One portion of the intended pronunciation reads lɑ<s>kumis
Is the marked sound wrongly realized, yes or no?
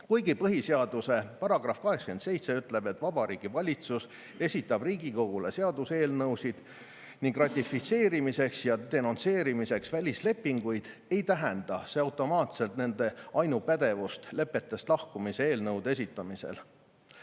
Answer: yes